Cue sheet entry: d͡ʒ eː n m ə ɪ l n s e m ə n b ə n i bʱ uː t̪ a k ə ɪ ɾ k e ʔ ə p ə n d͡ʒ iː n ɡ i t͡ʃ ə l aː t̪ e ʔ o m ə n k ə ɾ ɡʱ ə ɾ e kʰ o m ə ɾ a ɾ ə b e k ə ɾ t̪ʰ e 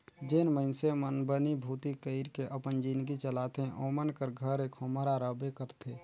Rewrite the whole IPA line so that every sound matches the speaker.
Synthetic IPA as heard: d͡ʒ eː n m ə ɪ n s e m ə n b ə n i bʱ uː t̪ i k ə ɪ ɾ k e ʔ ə p ə n d͡ʒ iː n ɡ i t͡ʃ ə l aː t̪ e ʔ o m ə n k ə ɾ ɡʱ ə ɾ e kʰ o m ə ɾ a ɾ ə b e k ə ɾ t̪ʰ e